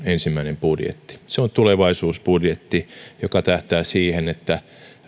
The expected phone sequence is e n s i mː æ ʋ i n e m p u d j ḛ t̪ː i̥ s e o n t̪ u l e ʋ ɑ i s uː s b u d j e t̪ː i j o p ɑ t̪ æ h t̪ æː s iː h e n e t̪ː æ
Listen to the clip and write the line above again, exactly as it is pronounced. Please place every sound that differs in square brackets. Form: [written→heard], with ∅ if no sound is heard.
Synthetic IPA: e n s i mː æ [ʋ→∅] i n e m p u d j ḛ t̪ː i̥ s e o n t̪ u l e ʋ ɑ i s uː s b u d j e t̪ː i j o [p→k] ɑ t̪ æ h t̪ æː s iː h e n e t̪ː æ